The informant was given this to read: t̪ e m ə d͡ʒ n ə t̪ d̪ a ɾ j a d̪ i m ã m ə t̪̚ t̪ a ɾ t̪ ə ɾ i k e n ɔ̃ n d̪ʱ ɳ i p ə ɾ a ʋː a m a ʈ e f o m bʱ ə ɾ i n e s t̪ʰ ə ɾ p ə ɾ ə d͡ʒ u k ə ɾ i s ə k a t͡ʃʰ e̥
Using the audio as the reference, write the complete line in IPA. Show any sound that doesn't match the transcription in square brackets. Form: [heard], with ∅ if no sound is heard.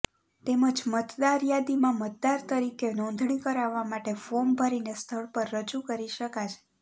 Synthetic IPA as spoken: t̪ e m ə d͡ʒ [m] ə t̪ d̪ a ɾ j a d̪ i m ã m ə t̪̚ [d̪] a ɾ t̪ ə ɾ i k e n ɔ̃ n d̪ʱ ɳ i [k] ə ɾ a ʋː a m a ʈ e f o m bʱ ə ɾ i n e s t̪ʰ ə [ɭ] p ə [ɾː] ə d͡ʒ u k ə ɾ i [ʃ] ə k a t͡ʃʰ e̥